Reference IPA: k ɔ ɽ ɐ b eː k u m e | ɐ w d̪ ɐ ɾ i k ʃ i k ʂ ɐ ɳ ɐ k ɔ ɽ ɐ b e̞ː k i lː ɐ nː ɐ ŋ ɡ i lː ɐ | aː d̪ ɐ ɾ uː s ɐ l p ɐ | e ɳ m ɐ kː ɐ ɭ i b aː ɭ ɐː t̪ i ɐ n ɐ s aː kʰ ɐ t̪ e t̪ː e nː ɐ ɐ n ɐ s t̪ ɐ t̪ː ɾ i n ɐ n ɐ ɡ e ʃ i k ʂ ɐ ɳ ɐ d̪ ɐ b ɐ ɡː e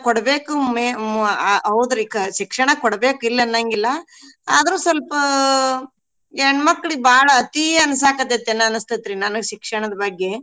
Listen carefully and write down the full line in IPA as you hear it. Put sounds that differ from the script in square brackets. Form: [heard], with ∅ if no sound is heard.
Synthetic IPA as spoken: k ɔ ɽ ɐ b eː k u m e | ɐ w d̪ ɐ ɾ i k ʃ i k ʂ ɐ ɳ ɐ k ɔ ɽ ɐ b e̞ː k i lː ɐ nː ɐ ŋ ɡ i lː ɐ | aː d̪ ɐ ɾ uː s ɐ l p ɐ | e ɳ m ɐ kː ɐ ɭ i b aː ɭ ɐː t̪ i ɐ n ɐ s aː [k] ɐ t̪ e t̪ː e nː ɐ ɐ n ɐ s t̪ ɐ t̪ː ɾ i n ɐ n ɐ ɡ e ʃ i k ʂ ɐ ɳ ɐ d̪ ɐ b ɐ ɡː e

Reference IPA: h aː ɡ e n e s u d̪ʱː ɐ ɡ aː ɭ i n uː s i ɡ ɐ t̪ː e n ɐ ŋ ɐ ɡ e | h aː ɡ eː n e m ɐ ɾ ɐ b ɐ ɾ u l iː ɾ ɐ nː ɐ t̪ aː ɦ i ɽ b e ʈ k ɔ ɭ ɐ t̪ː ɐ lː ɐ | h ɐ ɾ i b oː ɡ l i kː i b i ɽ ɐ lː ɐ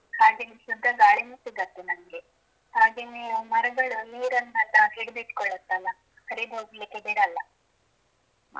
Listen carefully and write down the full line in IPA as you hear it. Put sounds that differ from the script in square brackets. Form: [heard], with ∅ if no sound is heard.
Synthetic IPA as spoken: h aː ɡ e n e s u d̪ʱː ɐ ɡ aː ɭ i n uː s i ɡ ɐ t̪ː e n ɐ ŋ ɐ ɡ e | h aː ɡ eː n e m ɐ ɾ ɐ [ɡ] ɐ [ɭ] u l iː ɾ ɐ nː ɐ t̪ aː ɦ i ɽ b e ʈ k ɔ ɭ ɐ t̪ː ɐ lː ɐ | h ɐ ɾ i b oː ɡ l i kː [e] b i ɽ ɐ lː ɐ

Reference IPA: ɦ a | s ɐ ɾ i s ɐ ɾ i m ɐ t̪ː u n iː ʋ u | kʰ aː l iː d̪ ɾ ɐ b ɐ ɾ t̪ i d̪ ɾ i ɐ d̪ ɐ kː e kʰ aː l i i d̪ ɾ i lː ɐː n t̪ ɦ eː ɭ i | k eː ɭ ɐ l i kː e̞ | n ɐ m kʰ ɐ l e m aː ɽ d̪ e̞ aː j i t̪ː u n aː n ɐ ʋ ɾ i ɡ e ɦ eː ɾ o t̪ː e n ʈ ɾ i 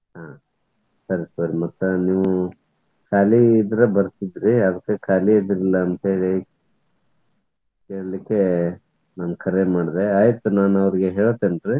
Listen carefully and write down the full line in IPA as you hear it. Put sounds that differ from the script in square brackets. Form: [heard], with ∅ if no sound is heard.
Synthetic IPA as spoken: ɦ a | s ɐ ɾ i s ɐ ɾ i m ɐ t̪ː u n iː ʋ u | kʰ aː l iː d̪ ɾ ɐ b ɐ ɾ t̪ i d̪ ɾ i ɐ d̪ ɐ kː e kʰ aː l i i d̪ ɾ i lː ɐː n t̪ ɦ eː ɭ i | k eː ɭ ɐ l i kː e̞ | n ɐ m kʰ ɐ [ɾ] e m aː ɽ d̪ e̞ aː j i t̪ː u n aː n ɐ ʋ ɾ i ɡ e ɦ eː [ɭ] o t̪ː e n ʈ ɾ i

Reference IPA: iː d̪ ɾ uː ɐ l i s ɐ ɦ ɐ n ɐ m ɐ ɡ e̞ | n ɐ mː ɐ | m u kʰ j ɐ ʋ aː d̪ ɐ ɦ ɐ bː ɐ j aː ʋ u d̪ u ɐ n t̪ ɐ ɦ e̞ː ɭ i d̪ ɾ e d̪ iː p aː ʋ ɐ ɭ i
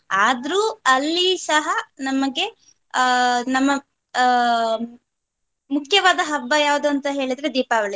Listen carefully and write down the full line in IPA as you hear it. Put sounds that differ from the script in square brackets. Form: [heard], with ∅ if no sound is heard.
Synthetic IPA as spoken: [aː] d̪ ɾ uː ɐ [lː] i s ɐ ɦ ɐ n ɐ m ɐ ɡ e̞ | n ɐ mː ɐ | m u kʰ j ɐ ʋ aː d̪ ɐ ɦ ɐ bː ɐ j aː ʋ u d̪ u ɐ n t̪ ɐ ɦ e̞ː ɭ i d̪ ɾ e d̪ iː p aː ʋ ɐ ɭ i

